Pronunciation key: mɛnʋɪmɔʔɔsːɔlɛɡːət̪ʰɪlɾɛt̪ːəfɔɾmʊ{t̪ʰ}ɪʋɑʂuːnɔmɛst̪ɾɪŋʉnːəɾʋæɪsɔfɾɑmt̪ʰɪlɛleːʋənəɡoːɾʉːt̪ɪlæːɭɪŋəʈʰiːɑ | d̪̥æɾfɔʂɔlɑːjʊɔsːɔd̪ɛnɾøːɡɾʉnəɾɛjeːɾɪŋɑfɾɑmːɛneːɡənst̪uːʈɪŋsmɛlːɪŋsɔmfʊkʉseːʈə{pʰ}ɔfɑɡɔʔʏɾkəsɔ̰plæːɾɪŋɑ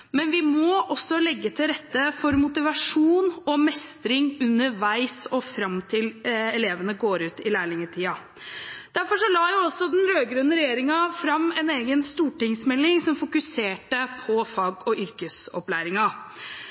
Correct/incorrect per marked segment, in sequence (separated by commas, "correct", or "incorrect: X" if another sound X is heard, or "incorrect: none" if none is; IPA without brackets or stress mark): incorrect: t̪, correct